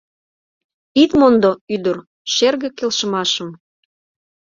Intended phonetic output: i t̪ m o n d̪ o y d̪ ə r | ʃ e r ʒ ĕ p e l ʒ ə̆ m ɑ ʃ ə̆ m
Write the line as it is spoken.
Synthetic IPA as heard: i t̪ m o n d̪ o y d̪ ə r | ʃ e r ɣ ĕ k e l ʃ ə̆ m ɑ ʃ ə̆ m